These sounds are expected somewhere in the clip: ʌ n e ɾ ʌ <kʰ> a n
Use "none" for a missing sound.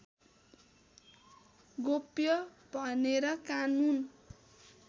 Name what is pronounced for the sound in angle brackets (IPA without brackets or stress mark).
k